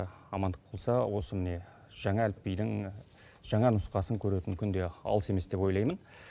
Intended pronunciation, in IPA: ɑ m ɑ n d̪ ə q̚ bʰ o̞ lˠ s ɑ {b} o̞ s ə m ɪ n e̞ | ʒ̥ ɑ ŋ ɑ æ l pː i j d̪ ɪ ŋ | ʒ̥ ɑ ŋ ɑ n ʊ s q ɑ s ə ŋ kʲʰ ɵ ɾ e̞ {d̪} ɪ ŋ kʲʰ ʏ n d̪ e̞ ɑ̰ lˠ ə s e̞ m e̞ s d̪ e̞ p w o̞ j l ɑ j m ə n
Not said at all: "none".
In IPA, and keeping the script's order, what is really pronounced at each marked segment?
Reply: w, t̪

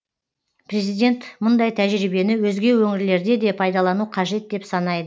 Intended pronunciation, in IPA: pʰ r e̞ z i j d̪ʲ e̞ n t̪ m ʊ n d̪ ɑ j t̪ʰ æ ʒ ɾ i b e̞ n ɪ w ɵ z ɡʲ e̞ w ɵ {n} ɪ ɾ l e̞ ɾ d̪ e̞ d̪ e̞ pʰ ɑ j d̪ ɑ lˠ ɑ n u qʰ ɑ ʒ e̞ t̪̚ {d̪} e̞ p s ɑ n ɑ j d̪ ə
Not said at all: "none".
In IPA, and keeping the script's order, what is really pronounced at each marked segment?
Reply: ŋ, d̪

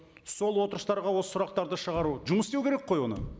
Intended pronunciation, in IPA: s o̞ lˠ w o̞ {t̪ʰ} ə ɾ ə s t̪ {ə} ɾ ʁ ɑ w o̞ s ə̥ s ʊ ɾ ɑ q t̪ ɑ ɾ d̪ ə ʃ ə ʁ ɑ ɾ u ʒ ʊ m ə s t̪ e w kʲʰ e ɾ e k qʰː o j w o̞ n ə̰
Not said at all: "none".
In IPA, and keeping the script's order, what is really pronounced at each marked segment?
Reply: t̪, ɑ

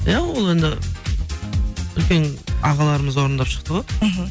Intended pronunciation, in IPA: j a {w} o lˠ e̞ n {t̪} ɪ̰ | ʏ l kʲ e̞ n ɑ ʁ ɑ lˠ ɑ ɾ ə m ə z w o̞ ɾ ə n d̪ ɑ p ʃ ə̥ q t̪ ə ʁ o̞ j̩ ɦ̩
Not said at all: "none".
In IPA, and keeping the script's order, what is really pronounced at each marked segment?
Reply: w, d̪

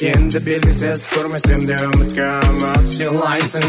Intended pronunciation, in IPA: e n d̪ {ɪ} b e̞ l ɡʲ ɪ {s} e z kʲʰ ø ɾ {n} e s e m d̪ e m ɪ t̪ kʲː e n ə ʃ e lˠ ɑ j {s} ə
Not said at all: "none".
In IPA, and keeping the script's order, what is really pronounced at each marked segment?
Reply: ɪ, s, m, s

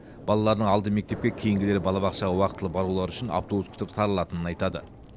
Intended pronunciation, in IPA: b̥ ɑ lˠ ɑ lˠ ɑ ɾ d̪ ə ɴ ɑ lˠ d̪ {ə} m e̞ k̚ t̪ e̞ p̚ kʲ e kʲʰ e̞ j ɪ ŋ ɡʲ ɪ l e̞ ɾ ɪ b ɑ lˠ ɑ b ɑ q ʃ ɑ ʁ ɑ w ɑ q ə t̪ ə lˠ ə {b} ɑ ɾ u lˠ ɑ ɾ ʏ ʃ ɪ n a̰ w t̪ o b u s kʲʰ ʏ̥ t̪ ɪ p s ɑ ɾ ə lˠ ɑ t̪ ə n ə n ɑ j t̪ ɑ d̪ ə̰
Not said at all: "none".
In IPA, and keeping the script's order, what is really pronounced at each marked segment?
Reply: ə, b

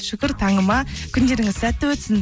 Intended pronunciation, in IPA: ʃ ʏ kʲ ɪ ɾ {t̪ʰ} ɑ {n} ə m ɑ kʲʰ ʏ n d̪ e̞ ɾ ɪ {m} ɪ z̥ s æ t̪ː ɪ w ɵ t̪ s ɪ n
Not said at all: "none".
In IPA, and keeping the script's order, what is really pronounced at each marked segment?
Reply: t̪ʰ, ɴ, ŋ

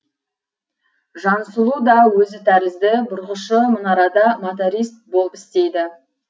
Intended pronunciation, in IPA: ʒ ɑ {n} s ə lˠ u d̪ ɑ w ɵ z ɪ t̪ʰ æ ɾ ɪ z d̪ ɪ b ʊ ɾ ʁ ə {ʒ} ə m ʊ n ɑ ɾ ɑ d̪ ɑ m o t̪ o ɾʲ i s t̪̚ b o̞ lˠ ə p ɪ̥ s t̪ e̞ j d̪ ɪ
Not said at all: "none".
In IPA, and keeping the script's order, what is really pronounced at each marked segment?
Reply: n, ʃ

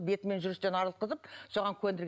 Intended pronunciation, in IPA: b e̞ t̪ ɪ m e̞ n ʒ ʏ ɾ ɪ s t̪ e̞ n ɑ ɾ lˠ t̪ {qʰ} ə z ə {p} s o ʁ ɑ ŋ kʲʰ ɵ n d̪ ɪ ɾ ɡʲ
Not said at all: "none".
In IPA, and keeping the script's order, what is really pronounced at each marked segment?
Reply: q, p

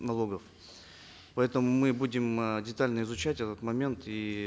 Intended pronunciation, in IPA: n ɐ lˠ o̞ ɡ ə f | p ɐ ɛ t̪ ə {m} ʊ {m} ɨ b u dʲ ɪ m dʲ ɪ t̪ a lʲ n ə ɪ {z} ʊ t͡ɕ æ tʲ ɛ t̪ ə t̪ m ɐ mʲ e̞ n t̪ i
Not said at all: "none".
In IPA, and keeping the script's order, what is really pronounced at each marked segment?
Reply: m, m, z

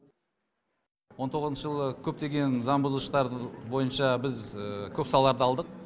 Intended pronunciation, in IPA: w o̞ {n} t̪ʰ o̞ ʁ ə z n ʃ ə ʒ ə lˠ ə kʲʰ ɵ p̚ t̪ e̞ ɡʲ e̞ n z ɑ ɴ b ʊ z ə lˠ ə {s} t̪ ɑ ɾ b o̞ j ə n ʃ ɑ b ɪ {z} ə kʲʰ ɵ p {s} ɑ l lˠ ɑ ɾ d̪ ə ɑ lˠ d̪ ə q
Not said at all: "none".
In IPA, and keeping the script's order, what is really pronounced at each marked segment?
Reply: n, ʃ, z, s

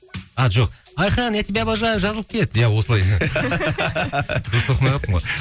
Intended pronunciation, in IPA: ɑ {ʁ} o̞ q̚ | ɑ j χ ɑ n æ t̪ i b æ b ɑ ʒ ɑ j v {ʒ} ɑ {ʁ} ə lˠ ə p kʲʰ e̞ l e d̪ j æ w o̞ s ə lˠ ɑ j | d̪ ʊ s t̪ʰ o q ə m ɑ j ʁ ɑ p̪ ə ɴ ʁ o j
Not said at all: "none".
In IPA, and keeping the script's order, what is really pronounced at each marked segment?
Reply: ʒ, ʒ, z

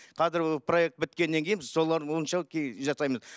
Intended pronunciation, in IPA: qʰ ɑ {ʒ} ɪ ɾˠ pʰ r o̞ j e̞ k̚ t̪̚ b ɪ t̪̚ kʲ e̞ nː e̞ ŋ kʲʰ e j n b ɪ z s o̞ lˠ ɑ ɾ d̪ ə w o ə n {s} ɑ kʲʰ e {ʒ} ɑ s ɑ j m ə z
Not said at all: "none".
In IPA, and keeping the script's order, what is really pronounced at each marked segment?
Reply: z, ʃ, ʒ

